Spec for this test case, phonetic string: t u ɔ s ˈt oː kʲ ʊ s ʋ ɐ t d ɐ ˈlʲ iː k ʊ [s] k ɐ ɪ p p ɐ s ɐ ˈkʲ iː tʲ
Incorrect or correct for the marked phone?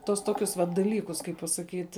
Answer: correct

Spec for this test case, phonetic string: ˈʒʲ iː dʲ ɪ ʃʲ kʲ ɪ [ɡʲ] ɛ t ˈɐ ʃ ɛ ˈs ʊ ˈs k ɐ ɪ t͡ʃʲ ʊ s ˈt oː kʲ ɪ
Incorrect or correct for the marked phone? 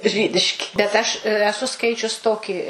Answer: incorrect: bʲ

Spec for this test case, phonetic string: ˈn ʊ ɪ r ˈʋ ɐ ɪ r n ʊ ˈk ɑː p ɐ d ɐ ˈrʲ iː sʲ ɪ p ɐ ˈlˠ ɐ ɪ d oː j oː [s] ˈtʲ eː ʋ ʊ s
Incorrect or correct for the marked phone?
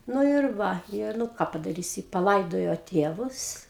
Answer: incorrect: none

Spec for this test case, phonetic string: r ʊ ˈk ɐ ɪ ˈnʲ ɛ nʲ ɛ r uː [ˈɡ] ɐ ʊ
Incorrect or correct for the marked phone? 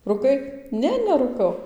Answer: incorrect: k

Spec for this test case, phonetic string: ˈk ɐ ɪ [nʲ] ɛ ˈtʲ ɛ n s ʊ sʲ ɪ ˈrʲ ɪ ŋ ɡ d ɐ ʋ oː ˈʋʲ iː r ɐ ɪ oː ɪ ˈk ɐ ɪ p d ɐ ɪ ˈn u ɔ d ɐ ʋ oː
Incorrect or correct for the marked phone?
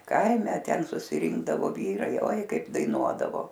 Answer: incorrect: mʲ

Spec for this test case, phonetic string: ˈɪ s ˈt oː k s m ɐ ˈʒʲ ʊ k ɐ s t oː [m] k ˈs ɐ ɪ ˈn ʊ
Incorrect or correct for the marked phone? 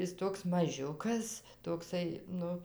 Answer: incorrect: none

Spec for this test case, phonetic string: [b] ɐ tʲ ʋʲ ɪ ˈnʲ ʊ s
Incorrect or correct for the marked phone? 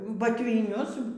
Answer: correct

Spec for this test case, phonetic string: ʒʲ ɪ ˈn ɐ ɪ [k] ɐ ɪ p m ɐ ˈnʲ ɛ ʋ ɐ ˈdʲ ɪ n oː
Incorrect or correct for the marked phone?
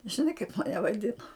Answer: correct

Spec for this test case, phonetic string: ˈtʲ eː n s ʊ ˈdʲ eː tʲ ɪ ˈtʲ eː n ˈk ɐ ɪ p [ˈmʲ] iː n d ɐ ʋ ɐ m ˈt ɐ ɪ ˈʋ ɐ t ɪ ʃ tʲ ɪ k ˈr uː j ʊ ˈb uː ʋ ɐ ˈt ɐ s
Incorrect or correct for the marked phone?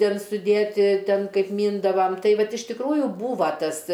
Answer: correct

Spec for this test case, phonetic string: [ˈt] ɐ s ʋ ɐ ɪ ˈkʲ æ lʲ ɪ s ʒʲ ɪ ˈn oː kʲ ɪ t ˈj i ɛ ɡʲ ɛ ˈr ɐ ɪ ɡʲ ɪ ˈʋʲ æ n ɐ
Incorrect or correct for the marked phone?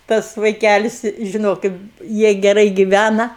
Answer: correct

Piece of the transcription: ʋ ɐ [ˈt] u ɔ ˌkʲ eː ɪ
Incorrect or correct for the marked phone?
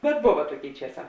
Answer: correct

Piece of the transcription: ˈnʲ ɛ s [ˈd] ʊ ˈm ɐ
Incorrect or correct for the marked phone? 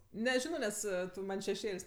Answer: incorrect: t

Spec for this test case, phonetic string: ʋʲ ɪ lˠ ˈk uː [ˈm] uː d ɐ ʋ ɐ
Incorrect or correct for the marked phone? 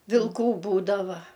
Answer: incorrect: b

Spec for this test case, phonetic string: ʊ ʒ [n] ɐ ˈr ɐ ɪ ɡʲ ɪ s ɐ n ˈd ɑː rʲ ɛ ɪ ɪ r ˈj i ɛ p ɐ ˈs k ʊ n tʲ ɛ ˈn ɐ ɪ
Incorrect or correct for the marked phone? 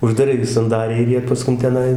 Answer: incorrect: d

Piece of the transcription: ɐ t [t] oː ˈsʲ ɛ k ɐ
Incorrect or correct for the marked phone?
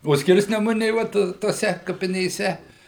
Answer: correct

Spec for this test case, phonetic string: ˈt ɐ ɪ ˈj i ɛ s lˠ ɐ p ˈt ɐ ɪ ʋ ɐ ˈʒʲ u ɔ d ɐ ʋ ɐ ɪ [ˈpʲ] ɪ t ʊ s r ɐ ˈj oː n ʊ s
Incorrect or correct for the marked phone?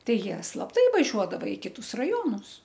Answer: incorrect: kʲ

